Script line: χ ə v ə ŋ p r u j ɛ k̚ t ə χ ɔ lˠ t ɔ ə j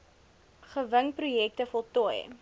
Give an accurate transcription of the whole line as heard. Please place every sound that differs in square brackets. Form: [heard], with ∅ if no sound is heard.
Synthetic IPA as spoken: χ ə v ə ŋ p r u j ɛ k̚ t ə [f] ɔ lˠ t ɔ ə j